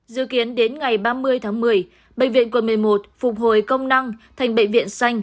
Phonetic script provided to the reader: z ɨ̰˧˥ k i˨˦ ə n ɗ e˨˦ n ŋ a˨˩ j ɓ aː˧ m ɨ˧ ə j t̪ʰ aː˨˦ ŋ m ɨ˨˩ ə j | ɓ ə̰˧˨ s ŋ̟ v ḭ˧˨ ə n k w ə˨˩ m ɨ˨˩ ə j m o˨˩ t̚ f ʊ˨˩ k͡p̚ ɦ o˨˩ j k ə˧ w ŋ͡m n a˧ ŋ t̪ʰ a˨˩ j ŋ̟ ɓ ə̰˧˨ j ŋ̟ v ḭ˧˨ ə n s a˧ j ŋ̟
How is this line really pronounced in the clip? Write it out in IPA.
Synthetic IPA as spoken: z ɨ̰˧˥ k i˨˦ ə n ɗ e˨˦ n ŋ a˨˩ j ɓ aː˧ m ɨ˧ ə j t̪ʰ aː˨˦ ŋ m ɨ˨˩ ə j | ɓ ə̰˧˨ ŋ̟ v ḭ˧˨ ə n k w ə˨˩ m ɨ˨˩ ə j m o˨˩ t̚ f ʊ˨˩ k͡p̚ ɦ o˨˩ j k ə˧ w ŋ͡m n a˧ ŋ t̪ʰ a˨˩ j ŋ̟ ɓ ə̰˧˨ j ŋ̟ v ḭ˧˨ ə n s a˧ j ŋ̟

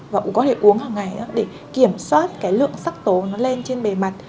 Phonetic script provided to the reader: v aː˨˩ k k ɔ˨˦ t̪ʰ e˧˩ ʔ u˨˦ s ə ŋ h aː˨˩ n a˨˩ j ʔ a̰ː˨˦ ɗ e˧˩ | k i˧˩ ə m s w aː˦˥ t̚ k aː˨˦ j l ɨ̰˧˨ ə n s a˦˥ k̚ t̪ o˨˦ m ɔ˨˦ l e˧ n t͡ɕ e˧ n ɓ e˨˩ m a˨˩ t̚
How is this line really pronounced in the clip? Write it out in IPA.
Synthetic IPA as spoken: v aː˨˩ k k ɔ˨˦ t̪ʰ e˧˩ ʔ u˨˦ ə ŋ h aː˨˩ ŋ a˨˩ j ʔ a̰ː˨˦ ɗ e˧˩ | k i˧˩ ə m s w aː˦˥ t̚ k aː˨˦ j l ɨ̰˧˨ ə ŋ s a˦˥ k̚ t̪ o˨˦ n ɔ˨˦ l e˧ n t͡ɕ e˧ n ɓ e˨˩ m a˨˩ t̚

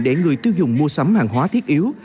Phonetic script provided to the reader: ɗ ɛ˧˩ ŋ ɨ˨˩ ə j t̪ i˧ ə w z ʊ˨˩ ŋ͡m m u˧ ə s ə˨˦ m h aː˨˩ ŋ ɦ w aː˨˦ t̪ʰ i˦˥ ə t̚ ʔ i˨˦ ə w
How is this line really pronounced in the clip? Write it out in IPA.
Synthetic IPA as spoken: ɗ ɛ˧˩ ŋ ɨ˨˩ ə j t̪ i˧ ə w z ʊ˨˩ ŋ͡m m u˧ ə s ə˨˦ m h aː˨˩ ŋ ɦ w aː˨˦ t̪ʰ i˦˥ ə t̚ ʔ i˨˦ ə w

